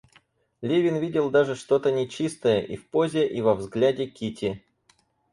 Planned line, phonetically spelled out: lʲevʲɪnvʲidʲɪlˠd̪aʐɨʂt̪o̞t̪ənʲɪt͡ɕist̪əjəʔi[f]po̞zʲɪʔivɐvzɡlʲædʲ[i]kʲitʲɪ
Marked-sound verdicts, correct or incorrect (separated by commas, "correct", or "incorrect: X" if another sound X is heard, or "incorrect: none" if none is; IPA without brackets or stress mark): correct, incorrect: ɪ